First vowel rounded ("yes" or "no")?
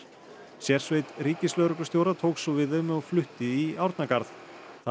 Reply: no